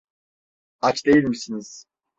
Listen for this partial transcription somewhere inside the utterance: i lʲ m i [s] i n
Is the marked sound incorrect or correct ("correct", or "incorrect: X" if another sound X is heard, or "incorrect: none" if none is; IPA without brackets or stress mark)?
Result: correct